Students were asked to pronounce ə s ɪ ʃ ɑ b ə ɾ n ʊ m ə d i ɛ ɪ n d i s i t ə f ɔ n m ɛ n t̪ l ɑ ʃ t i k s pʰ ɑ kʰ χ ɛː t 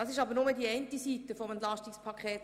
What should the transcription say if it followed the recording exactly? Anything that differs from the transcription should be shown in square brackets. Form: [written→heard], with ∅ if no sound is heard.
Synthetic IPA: [ə→ɑ] s ɪ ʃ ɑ b ə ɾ n ʊ m ə d i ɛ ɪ n [d→t] i s i t ə f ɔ [n→∅] m ɛ n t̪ l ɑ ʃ t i k s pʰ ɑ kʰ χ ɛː t